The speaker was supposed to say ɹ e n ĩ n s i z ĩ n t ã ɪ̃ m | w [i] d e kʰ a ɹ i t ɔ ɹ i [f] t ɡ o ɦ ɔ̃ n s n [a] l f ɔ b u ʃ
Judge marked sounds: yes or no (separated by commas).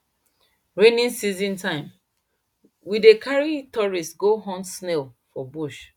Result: yes, no, no